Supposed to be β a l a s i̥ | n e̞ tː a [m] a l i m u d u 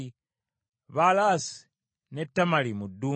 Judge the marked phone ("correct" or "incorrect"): correct